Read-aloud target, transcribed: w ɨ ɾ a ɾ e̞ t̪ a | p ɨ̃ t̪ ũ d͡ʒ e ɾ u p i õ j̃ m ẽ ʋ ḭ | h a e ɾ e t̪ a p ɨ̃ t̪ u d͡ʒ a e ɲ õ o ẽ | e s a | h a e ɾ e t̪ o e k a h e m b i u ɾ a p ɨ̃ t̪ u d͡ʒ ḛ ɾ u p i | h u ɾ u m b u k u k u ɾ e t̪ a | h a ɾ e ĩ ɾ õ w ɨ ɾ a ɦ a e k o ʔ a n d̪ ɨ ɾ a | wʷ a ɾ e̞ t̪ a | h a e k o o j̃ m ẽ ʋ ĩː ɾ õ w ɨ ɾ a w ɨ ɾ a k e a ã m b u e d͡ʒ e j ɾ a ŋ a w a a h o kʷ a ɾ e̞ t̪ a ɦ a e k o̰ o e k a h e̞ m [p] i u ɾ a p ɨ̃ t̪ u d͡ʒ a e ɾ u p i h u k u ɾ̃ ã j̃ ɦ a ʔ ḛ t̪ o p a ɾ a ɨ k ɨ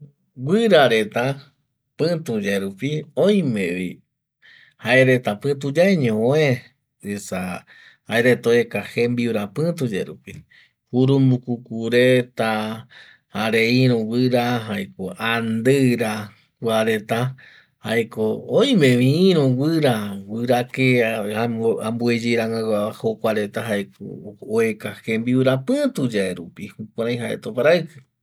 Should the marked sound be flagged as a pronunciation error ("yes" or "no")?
yes